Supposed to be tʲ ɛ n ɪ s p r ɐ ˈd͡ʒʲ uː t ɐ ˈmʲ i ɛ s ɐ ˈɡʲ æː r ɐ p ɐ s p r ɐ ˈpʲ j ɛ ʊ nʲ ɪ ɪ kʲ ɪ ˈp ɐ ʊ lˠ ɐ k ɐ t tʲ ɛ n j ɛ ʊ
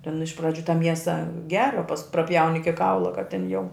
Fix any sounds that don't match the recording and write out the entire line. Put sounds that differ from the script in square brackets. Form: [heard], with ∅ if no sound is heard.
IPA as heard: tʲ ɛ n ɪ [ʃ] p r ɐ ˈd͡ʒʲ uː t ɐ ˈmʲ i ɛ s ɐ ˈɡʲ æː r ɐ p ɐ s p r ɐ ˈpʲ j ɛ ʊ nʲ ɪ ɪ kʲ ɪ [ˈk] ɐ ʊ lˠ ɐ k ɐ t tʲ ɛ n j ɛ ʊ

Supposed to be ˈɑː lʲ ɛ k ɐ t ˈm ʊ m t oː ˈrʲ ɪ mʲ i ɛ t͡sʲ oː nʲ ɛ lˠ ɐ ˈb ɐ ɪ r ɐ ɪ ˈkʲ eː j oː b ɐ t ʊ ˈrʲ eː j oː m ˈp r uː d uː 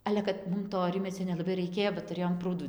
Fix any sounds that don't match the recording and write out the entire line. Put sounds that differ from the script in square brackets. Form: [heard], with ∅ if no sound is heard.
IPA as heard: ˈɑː lʲ ɛ k ɐ t ˈm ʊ m t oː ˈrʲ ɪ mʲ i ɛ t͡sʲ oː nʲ ɛ lˠ ɐ ˈb ɐ ɪ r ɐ ɪ ˈkʲ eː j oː b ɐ t ʊ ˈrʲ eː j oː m ˈp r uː d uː

